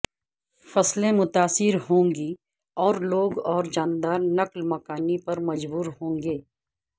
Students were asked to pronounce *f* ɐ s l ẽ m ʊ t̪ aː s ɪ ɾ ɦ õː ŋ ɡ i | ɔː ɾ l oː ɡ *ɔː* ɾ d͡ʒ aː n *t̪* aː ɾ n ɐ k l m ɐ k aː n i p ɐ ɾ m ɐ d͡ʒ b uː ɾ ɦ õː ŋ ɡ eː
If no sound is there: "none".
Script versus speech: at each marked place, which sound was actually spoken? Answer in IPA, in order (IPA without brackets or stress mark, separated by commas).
f, ɔː, d̪